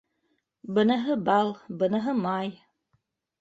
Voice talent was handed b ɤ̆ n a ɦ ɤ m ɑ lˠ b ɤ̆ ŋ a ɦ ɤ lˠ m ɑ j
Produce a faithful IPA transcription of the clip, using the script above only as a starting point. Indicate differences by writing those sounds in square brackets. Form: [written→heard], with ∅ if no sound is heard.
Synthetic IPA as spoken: b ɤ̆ n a ɦ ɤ [m→b] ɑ lˠ b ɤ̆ [ŋ→n] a ɦ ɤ [lˠ→∅] m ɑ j